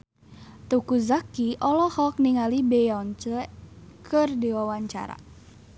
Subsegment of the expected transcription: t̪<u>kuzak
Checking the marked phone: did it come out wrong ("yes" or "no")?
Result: no